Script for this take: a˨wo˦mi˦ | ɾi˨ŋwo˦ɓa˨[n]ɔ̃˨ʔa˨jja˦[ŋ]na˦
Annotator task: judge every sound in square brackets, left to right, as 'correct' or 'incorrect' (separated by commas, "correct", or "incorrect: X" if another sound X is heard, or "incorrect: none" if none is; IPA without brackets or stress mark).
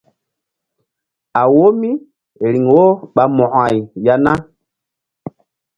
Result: incorrect: m, incorrect: none